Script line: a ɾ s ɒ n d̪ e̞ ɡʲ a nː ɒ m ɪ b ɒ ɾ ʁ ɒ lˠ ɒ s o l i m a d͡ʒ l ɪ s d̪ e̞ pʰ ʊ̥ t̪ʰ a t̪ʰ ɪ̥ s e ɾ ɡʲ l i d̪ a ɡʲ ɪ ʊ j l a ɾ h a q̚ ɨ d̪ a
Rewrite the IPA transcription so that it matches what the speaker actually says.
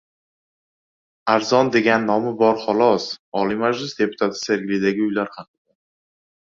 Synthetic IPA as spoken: a ɾ z ɒ n d̪ e̞ ɡʲ a nː ɒ m ɪ b ɒ ɾ χ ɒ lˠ ɒ s ɒ l i m a d͡ʒ l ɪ s d̪ e̞ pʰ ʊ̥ t̪ʰ a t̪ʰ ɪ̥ s e ɾ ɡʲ l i d̪ a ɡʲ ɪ ʊ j l a ɾ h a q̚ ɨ d̪ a